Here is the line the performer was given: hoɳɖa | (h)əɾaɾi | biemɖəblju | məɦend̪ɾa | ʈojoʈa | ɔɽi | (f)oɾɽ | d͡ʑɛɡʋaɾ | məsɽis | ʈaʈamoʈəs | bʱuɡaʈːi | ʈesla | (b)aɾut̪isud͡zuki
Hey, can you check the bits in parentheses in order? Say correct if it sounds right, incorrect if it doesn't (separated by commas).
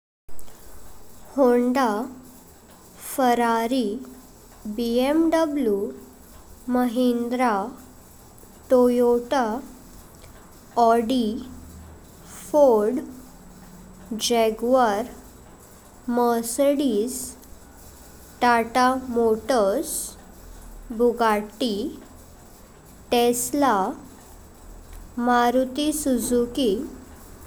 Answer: incorrect, correct, incorrect